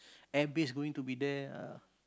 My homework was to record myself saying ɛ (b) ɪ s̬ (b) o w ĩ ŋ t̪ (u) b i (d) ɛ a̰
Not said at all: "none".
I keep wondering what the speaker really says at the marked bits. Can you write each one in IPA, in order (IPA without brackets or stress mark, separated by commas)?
b, ɡ, u, d